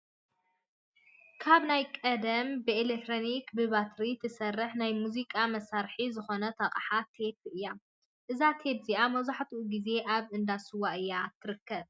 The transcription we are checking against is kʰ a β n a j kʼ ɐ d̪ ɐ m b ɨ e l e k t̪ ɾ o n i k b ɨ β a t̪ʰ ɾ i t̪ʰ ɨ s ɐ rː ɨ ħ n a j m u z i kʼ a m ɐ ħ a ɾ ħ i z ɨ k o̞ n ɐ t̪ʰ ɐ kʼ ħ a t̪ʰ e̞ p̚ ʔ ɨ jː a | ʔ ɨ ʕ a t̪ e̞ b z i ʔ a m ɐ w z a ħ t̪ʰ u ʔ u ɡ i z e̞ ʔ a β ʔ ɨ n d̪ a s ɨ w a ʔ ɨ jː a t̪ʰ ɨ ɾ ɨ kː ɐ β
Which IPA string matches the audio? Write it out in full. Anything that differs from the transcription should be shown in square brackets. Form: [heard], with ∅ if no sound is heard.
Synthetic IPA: kʰ a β n a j kʼ ɐ d̪ ɐ m b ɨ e l e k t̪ ɾ o n i k b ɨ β a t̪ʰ ɾ i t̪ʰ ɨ s ɐ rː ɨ ħ n a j m u z i kʼ a m ɐ [s] a ɾ ħ i z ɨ [x] o̞ n ɐ t̪ʰ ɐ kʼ ħ a t̪ʰ e̞ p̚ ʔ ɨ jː a | ʔ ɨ [z] a [t̪ʰ] e̞ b z i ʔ a m ɐ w z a ħ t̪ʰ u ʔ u ɡ i z e̞ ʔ a β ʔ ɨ n d̪ a s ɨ w a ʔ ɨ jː a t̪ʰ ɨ ɾ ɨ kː ɐ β